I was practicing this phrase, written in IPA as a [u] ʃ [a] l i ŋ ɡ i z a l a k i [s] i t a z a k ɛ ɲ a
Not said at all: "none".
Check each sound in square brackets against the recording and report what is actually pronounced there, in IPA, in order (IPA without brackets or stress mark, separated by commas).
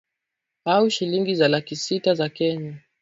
u, i, s